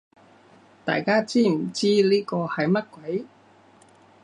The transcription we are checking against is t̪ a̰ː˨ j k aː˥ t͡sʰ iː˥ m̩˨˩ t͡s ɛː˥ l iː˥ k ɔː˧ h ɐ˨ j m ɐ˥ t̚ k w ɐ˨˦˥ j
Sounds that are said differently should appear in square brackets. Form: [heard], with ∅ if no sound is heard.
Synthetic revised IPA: t̪ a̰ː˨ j k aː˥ [t͡s] iː˥ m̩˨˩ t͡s [iː˥] l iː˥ k ɔː˧ h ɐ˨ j m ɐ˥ t̚ k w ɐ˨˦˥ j